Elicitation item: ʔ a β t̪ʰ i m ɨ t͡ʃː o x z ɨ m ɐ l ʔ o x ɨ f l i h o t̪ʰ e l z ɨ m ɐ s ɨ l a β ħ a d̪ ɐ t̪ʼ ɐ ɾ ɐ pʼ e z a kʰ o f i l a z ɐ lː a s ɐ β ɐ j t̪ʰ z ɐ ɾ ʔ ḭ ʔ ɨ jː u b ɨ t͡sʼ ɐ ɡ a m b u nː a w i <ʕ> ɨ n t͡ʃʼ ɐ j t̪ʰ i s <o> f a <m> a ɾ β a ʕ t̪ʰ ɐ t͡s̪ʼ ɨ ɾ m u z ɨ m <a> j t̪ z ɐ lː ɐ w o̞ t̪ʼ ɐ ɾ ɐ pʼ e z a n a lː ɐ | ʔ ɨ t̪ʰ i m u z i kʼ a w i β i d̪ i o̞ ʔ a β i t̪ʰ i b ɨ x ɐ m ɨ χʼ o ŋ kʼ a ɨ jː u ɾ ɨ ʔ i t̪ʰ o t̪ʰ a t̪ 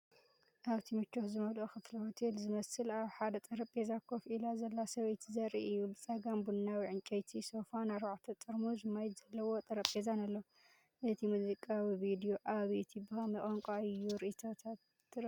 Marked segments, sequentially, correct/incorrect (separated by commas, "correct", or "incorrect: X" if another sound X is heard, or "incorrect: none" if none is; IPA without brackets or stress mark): correct, correct, incorrect: n, correct